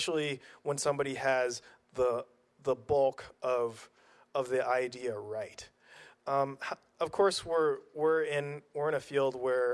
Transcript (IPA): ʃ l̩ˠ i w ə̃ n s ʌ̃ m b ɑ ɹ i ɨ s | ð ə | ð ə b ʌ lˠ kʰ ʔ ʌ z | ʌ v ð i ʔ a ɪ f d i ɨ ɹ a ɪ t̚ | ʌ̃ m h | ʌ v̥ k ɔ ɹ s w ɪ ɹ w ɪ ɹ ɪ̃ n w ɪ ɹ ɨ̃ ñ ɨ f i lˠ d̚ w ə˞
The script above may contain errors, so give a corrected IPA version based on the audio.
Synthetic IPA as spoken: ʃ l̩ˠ i w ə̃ n s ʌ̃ m b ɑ ɾ i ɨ z | ð ə | ð ə b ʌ lˠ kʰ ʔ ʌ v | ʌ v ð i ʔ a ɪ d i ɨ ɹ a ɪ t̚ | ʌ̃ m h | ʌ v̥ kʰ ɔ ɹ s w ɪ ɹ w ɪ ɹ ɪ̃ n w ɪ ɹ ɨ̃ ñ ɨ f i lˠ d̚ w ə˞